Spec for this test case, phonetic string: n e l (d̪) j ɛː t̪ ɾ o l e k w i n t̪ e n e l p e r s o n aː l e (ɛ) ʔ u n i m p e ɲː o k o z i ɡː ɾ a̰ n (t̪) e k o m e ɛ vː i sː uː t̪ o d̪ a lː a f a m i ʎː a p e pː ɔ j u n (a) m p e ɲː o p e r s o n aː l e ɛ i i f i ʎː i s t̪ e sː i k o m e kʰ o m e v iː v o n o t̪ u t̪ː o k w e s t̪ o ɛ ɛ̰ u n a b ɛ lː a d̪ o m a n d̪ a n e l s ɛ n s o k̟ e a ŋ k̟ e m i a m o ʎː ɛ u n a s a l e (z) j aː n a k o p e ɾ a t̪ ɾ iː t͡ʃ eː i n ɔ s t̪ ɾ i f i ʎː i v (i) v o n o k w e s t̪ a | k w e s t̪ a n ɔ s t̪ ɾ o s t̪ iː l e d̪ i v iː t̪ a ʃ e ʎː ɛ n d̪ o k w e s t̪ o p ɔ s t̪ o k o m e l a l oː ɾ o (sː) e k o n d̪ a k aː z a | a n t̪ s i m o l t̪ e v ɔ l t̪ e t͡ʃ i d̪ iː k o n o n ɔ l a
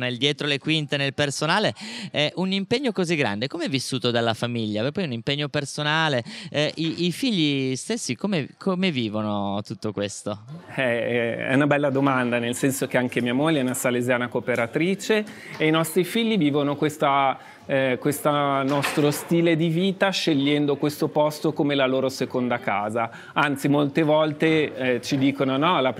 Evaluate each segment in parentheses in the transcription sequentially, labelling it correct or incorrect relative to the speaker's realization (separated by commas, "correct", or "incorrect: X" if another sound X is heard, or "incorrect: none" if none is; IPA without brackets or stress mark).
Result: correct, correct, incorrect: d̪, incorrect: i, correct, incorrect: iː, incorrect: s